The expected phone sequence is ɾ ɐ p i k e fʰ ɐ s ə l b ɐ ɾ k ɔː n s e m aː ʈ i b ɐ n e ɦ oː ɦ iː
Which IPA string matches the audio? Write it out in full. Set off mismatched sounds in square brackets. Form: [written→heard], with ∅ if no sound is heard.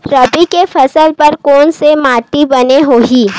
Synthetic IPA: ɾ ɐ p i k e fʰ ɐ s ə l [b→p] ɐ ɾ k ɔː n s e m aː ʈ i b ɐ n e ɦ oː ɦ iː